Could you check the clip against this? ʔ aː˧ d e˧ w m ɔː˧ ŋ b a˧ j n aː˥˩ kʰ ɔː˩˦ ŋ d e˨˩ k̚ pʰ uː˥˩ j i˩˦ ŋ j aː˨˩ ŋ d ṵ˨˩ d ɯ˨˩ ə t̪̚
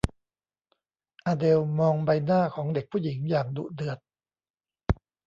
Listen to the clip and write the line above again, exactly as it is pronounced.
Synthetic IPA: ʔ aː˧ d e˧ w m ɔː˧ ŋ b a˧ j n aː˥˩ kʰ ɔː˩˦ ŋ d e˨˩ k̚ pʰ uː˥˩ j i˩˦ ŋ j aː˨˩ ŋ d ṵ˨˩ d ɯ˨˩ ə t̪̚